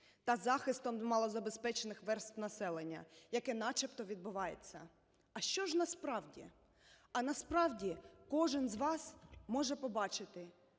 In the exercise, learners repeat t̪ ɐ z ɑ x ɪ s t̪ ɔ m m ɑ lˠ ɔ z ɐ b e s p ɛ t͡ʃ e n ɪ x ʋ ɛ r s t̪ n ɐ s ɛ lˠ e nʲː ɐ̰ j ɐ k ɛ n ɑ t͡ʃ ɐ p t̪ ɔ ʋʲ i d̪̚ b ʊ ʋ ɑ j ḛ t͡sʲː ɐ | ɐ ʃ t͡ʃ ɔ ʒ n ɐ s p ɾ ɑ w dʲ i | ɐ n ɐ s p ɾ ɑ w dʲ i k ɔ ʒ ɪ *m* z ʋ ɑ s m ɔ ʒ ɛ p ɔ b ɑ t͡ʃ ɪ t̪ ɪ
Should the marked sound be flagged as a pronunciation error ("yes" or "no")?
yes